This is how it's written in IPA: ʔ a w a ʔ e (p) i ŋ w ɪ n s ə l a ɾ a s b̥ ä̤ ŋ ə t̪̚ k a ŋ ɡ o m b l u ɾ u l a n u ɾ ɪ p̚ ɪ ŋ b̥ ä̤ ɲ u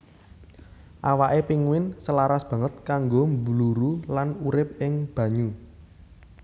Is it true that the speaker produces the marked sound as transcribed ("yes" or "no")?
yes